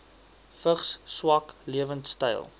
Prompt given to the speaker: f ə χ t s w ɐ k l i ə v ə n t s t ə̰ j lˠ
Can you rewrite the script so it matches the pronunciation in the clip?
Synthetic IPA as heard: f ə χ s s w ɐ k l i ə v ə n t s t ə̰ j lˠ